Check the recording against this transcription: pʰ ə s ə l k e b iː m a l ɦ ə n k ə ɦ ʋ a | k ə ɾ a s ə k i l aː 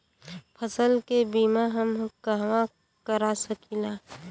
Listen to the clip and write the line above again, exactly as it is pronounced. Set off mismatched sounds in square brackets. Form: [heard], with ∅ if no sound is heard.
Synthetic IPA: pʰ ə s ə l k e b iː m a [∅] ɦ ə [m] k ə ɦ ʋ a | k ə ɾ a s ə k i l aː